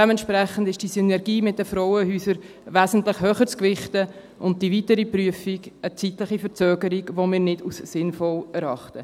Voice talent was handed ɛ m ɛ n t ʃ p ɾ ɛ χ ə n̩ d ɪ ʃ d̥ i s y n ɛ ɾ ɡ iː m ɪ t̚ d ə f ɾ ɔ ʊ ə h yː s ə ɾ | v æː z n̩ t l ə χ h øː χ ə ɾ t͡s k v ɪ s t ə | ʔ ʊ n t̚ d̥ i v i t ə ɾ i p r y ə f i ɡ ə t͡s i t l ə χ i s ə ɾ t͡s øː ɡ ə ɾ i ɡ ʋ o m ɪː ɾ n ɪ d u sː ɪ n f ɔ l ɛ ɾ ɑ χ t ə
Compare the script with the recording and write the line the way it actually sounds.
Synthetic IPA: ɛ m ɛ n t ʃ p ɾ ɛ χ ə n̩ d ɪ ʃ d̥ i s y n ɛ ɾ ɡ iː m ɪ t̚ d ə f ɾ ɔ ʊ ə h yː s ə ɾ | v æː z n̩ t l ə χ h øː χ ə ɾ t͡s k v ɪ χ t ə | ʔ ʊ n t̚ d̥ i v i t ə ɾ i p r y ə f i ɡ ə t͡s i t l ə χ i f ə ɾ t͡s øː ɡ ə ɾ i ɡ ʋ o m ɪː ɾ n ɪ d u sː ɪ n f ɔ l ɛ ɾ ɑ χ t ə